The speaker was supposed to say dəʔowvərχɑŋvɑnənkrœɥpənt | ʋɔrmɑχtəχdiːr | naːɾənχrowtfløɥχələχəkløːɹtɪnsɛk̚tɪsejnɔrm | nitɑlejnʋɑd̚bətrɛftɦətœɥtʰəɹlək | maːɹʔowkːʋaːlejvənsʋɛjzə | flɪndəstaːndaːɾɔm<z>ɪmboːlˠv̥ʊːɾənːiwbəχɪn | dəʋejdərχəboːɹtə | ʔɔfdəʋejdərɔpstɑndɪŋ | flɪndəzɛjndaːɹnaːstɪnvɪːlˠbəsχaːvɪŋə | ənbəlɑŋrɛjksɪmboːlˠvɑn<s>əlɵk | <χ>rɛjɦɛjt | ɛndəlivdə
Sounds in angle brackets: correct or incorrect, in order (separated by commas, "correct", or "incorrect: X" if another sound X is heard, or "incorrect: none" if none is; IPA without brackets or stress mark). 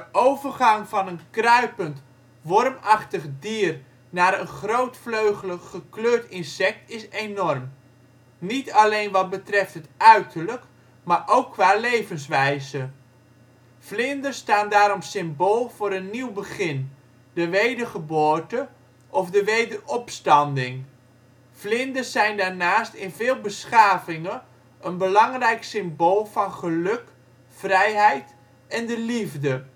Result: incorrect: s, incorrect: χ, incorrect: f